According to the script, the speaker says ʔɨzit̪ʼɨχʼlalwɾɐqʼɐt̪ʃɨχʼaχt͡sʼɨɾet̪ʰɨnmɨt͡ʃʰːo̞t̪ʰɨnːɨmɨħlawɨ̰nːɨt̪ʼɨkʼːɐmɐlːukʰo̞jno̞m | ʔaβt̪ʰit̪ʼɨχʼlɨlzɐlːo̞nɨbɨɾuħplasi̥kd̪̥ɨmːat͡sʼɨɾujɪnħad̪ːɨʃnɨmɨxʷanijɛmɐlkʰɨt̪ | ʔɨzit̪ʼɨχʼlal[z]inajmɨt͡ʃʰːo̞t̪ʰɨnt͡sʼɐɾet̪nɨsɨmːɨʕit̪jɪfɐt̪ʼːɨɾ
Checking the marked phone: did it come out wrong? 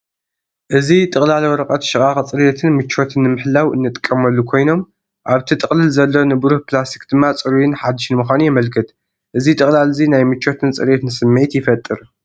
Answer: no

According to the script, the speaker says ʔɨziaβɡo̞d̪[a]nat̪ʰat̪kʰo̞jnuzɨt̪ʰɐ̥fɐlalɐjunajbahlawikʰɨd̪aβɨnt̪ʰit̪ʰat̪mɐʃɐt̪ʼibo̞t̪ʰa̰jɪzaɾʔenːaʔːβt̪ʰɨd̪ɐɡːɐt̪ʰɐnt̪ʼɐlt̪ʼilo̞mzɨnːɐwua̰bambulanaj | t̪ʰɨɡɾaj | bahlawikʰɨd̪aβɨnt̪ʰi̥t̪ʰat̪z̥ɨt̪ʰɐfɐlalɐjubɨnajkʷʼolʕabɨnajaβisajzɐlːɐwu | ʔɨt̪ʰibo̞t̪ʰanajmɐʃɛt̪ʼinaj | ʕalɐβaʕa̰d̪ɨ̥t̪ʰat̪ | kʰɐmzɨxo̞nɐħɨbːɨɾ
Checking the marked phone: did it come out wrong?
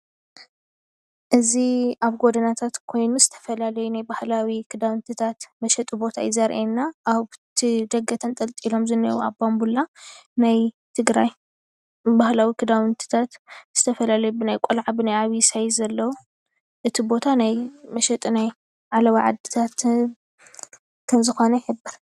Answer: yes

